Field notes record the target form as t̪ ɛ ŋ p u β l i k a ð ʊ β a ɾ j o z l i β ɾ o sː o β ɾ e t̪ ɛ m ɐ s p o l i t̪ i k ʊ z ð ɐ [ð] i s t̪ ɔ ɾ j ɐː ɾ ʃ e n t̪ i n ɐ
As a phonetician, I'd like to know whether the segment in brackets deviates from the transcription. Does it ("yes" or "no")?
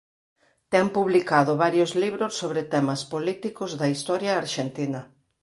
yes